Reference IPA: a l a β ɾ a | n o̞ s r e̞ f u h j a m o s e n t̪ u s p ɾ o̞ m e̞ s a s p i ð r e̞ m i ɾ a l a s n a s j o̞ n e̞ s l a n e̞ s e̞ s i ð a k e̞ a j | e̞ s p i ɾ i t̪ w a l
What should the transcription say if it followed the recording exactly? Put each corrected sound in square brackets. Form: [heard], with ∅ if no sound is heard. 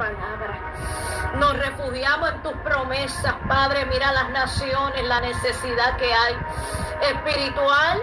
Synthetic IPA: a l a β ɾ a | n o̞ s r e̞ f u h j a m o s e n t̪ u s p ɾ o̞ m e̞ s a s p [a] ð [ɾ] e̞ m i ɾ a l a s n a s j o̞ n e̞ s l a n e̞ s e̞ s i ð a k e̞ a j | e̞ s p i ɾ i t̪ w a l